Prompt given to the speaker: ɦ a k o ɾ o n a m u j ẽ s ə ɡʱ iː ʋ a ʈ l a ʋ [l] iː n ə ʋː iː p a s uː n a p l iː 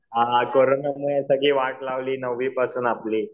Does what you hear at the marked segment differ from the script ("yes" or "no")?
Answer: no